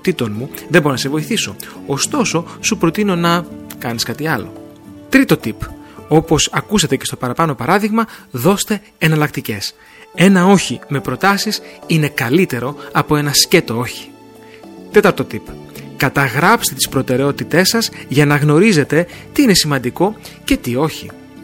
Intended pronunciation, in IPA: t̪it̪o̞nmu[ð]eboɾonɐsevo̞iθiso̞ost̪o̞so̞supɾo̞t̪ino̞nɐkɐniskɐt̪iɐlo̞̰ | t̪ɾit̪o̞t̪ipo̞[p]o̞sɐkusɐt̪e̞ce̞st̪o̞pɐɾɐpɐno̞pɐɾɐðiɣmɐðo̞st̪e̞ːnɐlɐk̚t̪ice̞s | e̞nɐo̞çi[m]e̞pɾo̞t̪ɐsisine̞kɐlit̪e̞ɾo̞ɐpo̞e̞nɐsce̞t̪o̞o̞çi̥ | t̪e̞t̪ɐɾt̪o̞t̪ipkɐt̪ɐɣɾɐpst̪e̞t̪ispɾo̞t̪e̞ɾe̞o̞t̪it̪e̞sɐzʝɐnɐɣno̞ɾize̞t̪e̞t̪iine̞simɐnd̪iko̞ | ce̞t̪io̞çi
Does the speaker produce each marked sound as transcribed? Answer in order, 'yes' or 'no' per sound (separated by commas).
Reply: yes, yes, yes